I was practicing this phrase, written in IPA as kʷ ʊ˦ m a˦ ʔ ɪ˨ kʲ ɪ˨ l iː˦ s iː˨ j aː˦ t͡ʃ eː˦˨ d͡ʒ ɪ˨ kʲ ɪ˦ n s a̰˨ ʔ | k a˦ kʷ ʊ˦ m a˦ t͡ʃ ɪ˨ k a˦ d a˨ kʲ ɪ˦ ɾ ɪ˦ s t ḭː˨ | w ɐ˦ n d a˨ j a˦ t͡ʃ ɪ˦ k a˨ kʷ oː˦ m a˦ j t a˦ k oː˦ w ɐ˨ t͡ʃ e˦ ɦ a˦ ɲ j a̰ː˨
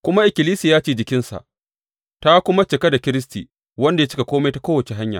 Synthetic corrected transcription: kʷ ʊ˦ m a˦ ʔ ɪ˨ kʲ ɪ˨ l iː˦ s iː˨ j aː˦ t͡ʃ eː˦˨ d͡ʒ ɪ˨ kʲ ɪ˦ n s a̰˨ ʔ | t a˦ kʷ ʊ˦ m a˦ t͡ʃ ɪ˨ k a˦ d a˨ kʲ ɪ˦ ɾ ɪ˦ s t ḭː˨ | w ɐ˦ n d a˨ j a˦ t͡ʃ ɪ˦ k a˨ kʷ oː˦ m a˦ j t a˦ k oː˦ w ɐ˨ t͡ʃ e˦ ɦ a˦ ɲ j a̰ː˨